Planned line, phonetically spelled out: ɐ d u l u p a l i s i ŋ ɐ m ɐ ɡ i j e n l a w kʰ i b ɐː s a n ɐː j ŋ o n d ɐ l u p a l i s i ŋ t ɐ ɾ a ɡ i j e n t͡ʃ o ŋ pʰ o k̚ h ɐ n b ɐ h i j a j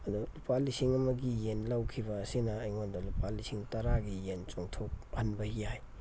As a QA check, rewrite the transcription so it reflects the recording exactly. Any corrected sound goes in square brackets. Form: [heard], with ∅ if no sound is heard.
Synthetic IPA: ɐ d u l u p a l i s i ŋ ɐ m ɐ ɡ i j e n l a w kʰ i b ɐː s [i] n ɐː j ŋ o n d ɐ l u p a l i s i ŋ t ɐ ɾ a ɡ i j e n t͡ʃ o ŋ [tʰ] o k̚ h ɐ n b ɐ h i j a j